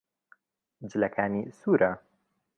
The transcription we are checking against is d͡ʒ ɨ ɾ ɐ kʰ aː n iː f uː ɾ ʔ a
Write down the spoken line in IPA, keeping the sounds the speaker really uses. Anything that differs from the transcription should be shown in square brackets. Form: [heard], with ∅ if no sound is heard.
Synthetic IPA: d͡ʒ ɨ [l] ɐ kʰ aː n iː [s] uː ɾ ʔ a